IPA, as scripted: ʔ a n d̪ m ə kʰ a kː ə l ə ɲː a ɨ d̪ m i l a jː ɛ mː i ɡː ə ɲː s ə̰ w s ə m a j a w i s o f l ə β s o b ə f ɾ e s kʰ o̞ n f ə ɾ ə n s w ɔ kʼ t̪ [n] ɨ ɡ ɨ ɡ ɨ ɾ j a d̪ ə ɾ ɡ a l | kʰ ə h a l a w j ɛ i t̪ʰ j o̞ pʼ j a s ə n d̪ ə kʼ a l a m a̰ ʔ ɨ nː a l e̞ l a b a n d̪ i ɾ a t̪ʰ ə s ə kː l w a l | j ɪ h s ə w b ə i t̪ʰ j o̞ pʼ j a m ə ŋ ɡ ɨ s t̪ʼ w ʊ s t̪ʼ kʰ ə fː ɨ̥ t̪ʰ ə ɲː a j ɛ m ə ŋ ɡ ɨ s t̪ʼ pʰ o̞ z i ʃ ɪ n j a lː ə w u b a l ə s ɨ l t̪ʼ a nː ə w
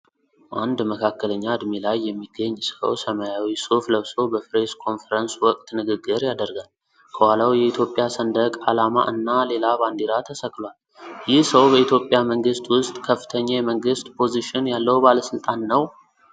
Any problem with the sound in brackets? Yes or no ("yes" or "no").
no